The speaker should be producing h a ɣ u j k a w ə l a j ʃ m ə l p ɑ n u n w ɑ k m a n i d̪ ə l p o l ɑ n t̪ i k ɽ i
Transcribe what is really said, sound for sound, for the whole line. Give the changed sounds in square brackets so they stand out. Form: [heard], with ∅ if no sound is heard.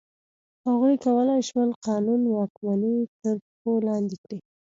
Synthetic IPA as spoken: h a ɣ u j k a w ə l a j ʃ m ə l [q] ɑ n u n w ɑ k m a n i [t̪] ə [ɾ] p o l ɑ n [d̪] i k ɽ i